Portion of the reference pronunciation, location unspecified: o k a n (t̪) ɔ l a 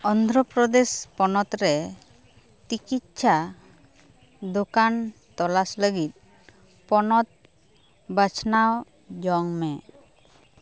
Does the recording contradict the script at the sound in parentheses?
no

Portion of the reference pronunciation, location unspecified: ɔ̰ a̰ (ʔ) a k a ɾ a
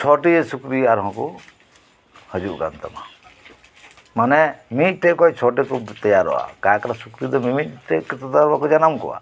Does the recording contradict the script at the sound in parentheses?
yes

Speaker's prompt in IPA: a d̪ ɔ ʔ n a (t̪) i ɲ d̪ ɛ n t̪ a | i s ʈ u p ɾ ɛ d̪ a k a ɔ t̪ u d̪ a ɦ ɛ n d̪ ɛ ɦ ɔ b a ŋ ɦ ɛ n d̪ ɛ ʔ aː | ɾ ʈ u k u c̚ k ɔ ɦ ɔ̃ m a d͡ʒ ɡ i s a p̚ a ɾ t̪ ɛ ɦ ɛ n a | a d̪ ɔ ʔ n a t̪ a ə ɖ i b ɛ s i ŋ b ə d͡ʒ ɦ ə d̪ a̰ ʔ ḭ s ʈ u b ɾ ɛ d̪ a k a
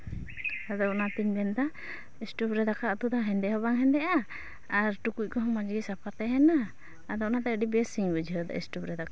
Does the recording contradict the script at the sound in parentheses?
no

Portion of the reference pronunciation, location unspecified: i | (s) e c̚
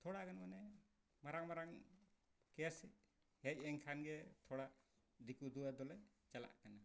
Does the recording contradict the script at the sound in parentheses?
yes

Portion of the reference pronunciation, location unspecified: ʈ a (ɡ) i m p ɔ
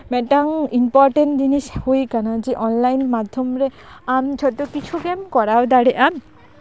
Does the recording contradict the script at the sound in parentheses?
yes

